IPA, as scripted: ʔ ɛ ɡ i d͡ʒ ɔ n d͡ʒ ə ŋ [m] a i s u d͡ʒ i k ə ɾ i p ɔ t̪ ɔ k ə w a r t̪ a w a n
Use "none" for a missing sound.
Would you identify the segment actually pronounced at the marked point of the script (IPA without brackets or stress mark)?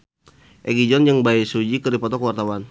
b